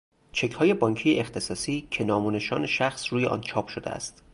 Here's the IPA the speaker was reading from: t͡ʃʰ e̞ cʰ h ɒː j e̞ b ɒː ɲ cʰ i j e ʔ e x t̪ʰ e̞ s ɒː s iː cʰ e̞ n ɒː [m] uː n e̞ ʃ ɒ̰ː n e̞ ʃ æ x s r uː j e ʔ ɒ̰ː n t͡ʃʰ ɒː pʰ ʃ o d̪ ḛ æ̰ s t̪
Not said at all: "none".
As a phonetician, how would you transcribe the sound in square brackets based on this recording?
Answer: m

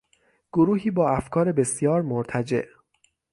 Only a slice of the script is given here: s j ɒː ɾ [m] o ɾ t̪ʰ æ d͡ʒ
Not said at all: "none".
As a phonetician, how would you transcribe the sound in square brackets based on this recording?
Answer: m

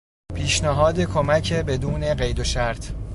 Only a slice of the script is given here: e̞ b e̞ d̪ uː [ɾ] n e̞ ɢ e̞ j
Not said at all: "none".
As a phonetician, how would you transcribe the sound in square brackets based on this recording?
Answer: none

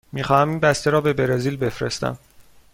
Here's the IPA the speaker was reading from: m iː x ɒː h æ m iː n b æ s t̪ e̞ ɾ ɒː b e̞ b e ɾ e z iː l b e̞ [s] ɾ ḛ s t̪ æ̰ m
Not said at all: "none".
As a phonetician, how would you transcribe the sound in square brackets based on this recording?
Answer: f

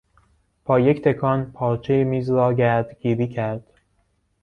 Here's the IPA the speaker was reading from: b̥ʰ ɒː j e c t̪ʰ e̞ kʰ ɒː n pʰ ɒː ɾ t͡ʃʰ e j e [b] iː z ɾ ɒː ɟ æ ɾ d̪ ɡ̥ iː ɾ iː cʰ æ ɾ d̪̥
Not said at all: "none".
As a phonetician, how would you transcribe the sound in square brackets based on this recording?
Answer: m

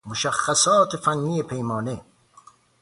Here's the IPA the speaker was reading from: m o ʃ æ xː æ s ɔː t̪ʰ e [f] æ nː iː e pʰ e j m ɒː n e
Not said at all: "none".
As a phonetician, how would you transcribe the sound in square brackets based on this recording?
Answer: f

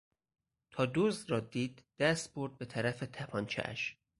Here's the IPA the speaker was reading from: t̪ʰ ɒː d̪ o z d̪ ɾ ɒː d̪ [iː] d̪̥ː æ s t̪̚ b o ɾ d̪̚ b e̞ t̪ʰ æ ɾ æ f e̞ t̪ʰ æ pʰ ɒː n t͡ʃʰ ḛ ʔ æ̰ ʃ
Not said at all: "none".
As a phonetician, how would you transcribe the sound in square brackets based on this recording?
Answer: iː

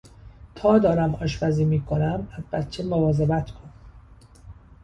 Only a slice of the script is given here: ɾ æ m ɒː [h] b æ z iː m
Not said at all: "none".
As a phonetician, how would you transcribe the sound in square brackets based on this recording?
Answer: ʃ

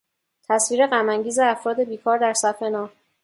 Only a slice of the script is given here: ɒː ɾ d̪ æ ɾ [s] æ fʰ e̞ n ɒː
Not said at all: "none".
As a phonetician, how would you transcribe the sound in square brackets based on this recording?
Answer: s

